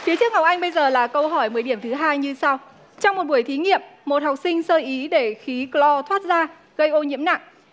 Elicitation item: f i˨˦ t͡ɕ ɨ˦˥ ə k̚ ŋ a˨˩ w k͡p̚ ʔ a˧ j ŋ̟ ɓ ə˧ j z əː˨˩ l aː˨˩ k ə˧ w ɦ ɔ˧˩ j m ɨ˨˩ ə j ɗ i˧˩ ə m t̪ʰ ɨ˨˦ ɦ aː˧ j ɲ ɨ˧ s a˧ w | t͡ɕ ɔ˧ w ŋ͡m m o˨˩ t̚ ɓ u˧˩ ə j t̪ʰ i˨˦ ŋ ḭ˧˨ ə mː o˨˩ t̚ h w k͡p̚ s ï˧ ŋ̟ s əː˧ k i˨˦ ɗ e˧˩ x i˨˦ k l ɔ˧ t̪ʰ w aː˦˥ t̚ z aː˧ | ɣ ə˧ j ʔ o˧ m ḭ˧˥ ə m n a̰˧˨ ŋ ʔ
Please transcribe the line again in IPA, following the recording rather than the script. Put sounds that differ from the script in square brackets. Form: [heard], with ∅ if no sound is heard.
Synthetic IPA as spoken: f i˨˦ t͡ɕ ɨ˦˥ ə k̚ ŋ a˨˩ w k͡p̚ ʔ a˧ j ŋ̟ ɓ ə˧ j z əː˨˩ l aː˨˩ k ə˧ w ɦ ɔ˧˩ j m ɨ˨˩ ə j ɗ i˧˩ ə m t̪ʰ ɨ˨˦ ɦ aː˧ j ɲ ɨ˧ s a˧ w | t͡ɕ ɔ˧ w ŋ͡m m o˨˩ t̚ ɓ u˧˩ ə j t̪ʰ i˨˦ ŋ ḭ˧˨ ə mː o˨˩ t̚ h w k͡p̚ s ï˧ ŋ̟ s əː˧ [ʔ] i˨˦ ɗ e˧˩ x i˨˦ k l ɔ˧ t̪ʰ w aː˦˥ t̚ z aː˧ | ɣ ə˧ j ʔ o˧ [ɲ] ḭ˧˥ ə m n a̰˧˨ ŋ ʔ